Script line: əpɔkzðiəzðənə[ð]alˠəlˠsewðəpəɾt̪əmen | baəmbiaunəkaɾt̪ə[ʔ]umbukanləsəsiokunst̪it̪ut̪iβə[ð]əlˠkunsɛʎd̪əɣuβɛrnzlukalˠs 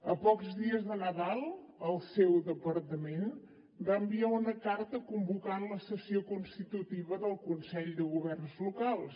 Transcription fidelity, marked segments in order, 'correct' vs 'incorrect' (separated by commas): correct, incorrect, correct